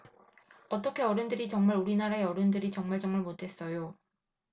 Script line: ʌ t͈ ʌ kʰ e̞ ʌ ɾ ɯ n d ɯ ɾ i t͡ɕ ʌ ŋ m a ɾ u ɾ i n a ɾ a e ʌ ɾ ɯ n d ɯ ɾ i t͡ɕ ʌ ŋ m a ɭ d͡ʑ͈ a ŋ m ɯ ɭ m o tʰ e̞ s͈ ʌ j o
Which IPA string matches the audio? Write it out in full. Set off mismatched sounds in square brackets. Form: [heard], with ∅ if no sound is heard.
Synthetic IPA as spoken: ʌ t͈ ʌ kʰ e̞ ʌ ɾ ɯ n d ɯ ɾ i t͡ɕ ʌ ŋ m a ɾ u ɾ i n a ɾ a e ʌ ɾ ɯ n d ɯ ɾ i t͡ɕ ʌ ŋ m a ɭ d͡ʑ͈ [ʌ] ŋ m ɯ ɭ m o tʰ e̞ s͈ ʌ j o